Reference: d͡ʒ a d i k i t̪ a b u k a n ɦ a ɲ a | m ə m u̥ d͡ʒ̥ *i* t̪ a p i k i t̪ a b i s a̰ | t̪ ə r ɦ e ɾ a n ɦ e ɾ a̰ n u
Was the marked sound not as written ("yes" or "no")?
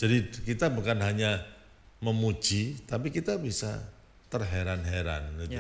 no